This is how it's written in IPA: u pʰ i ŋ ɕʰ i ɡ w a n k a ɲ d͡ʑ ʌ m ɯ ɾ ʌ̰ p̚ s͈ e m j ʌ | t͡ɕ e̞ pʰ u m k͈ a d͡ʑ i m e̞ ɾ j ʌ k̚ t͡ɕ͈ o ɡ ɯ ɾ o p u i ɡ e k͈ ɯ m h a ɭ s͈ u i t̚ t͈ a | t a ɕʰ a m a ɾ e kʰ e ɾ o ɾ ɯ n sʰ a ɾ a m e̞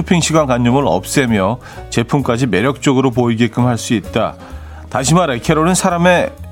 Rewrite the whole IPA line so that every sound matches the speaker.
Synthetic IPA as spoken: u pʰ i ŋ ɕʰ i ɡ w a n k a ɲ d͡ʑ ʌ m ɯ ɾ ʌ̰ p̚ s͈ e m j ʌ | t͡ɕ e̞ pʰ u m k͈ a d͡ʑ i m e̞ ɾ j ʌ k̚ t͡ɕ͈ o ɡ ɯ ɾ o p o i ɡ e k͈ ɯ m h a ɭ s͈ u i t̚ t͈ a | t a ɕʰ i m a ɾ e kʰ e ɾ o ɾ ɯ n sʰ a ɾ a m e̞